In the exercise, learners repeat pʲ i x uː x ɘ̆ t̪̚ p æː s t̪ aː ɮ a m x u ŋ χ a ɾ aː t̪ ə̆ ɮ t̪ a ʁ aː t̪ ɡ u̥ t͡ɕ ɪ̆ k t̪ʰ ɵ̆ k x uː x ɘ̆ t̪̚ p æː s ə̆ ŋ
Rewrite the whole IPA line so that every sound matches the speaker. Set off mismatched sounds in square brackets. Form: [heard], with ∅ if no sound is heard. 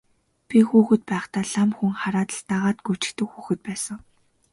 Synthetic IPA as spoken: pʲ i x uː x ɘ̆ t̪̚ p æː [χ] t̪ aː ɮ a m x u ŋ χ a ɾ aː t̪ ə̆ ɮ t̪ a ʁ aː t̪ ɡ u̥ t͡ɕ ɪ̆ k [t̪] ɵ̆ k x uː x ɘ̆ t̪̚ p æː s ə̆ ŋ